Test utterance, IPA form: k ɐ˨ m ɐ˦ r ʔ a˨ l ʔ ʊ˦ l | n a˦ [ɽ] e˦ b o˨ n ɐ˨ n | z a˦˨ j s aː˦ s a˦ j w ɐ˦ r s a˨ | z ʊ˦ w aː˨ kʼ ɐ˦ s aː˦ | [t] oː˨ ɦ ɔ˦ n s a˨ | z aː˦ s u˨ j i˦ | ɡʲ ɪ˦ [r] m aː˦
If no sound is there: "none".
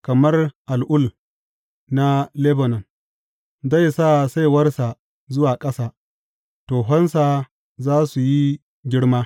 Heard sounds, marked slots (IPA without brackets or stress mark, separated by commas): l, t, ɽ